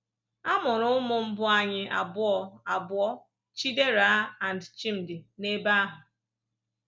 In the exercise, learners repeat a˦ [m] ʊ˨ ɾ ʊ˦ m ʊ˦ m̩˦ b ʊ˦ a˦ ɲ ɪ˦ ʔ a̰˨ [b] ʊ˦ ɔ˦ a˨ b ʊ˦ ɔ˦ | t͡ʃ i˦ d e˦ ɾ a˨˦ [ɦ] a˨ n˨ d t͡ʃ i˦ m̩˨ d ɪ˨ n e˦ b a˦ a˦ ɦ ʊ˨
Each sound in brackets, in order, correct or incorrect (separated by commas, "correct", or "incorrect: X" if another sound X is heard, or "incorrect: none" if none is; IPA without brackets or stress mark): correct, correct, incorrect: none